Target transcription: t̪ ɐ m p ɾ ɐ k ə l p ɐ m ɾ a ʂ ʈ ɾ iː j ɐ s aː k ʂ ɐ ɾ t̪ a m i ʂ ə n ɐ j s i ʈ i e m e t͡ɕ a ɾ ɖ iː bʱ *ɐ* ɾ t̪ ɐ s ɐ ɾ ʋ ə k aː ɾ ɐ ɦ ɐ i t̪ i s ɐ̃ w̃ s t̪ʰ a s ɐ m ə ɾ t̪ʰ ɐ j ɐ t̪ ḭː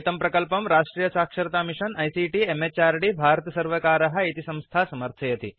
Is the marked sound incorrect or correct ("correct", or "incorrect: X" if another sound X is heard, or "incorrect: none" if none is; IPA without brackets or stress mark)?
incorrect: a